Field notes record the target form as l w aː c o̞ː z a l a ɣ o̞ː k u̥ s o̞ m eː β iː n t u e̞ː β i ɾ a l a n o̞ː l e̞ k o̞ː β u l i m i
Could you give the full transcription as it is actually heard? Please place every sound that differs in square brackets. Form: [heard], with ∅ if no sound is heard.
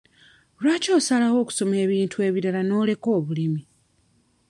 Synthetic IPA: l w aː c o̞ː [s] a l a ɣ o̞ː k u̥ s o̞ m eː β iː n t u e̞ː β i ɾ a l a n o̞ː l e̞ k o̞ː β u l i m i

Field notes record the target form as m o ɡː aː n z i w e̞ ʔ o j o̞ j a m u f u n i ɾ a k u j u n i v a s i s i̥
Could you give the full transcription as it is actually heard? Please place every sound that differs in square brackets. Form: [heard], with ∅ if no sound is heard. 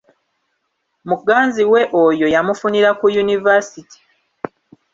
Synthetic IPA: m [u] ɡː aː n z i w e̞ ʔ o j o̞ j a m u f u n i ɾ a k u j u n i v a s i [t] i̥

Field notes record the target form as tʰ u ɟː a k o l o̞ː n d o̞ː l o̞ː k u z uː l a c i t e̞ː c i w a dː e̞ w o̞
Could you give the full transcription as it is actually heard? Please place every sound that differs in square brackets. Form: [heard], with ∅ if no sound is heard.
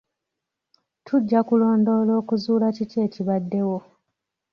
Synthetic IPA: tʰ u ɟː a k [u] l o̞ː n d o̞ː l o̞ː k u z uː l a c i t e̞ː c i [β] a dː e̞ w o̞

